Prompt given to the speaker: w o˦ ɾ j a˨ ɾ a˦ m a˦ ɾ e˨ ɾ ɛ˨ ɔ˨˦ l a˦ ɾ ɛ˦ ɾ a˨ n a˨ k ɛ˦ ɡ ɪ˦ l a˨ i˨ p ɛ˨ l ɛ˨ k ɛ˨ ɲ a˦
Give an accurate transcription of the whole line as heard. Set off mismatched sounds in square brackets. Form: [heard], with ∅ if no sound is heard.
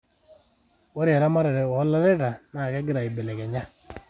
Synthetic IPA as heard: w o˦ ɾ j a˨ ɾ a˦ m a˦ ɾ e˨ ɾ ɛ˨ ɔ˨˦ l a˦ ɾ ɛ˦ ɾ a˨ n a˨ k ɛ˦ ɡ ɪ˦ [ɾ] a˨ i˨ [b] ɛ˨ l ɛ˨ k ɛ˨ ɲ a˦